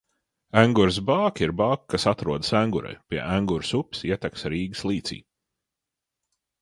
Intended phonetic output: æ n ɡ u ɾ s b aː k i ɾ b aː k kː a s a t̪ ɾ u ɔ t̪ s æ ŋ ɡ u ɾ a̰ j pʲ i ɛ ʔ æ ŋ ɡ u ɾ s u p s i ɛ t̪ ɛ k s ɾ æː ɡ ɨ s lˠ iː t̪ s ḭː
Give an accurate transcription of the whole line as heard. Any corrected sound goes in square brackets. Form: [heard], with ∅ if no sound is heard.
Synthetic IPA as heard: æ [ŋ] ɡ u ɾ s b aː k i ɾ b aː k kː a s a t̪ ɾ u ɔ [d̪] s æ ŋ ɡ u ɾ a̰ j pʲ i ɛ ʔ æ ŋ ɡ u ɾ s u p s i ɛ t̪ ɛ k s ɾ [iː] ɡ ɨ s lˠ iː t̪ s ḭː